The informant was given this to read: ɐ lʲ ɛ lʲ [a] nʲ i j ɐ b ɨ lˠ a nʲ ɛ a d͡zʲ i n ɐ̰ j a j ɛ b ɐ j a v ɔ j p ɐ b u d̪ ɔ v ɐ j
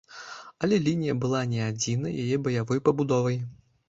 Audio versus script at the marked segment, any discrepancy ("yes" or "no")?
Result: yes